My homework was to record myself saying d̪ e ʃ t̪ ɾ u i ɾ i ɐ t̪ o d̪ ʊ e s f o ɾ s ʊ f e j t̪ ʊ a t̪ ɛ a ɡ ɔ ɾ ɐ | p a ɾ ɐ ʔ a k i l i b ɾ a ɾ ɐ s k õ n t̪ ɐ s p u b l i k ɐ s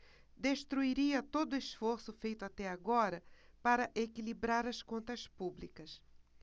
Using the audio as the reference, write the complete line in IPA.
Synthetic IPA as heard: d̪ e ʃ t̪ ɾ u i ɾ i ɐ t̪ o d̪ ʊ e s f o ɾ s ʊ f e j t̪ ʊ a t̪ ɛ a ɡ ɔ ɾ ɐ | p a ɾ ɐ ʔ e k i l i b ɾ a ɾ ɐ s k õ n t̪ ɐ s p u b l i k ɐ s